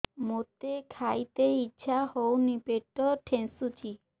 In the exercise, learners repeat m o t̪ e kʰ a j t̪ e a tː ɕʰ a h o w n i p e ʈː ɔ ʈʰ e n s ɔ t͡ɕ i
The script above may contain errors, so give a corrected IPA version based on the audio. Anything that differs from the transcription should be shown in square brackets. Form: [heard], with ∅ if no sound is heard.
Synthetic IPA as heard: m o t̪ e kʰ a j t̪ e [i] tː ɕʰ a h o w n i p e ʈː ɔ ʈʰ e n s [u] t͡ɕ i